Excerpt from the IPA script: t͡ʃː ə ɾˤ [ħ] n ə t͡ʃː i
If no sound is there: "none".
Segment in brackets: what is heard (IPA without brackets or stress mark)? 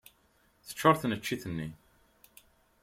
θ